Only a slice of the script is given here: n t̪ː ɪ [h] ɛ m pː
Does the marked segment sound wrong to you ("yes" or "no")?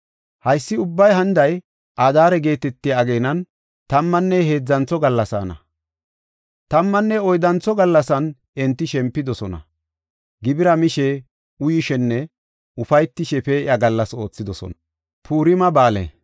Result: yes